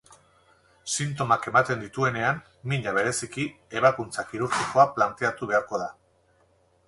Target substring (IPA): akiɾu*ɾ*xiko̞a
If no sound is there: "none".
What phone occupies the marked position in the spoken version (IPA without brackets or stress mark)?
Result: ɾ